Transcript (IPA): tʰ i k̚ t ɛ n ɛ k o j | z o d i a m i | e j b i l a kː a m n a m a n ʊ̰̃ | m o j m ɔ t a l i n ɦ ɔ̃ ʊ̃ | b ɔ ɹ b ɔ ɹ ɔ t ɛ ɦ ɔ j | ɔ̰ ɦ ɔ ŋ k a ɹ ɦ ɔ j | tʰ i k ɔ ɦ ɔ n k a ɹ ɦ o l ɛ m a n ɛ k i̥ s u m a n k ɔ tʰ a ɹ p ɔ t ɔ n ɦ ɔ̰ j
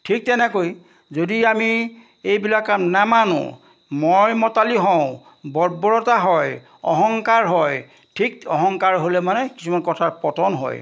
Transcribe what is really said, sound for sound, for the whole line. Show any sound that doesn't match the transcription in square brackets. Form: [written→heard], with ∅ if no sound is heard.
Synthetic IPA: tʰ i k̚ t ɛ n ɛ k o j | z o d i a m i | e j b i l a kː a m n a m a n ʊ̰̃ | m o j m ɔ t a l i [n→∅] ɦ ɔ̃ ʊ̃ | b ɔ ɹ b ɔ ɹ ɔ t [ɛ→a] ɦ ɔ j | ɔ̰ ɦ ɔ ŋ k a ɹ ɦ ɔ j | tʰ i k ɔ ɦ ɔ [n→ŋ] k a ɹ ɦ o l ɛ m a n ɛ k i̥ s u m a n k ɔ tʰ a ɹ p ɔ t ɔ n ɦ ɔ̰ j